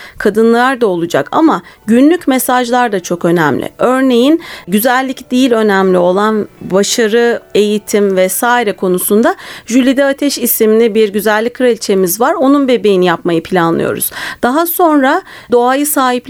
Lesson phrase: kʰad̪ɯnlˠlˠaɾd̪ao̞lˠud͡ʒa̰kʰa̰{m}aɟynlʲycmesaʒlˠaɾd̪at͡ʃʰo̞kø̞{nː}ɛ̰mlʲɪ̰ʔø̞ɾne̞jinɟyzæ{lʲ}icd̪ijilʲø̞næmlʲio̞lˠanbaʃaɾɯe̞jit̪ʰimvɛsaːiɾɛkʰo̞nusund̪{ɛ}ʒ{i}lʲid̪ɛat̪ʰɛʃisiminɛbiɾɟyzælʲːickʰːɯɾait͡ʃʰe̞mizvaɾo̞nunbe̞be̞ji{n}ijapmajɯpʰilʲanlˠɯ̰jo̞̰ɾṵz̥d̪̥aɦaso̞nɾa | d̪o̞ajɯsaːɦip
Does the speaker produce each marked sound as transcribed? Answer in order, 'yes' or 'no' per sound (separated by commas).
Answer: yes, no, no, no, no, yes